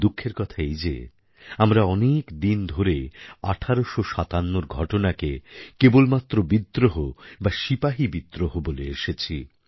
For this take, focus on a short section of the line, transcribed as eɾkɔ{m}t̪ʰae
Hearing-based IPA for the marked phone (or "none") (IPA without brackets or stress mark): none